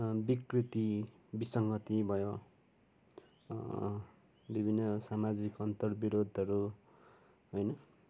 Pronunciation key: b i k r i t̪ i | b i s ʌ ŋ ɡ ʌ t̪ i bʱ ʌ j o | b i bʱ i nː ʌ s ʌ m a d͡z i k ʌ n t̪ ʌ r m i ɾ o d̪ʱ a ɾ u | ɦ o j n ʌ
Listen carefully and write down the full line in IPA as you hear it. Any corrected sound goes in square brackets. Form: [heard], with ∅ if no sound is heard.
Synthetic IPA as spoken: b i k r i t̪ i | b i s ʌ ŋ ɡ ʌ t̪ i bʱ ʌ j o | b i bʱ i nː ʌ s [a] m a d͡z i k ʌ n t̪ ʌ r [b] i ɾ o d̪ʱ [ʌ] ɾ u | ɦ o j n ʌ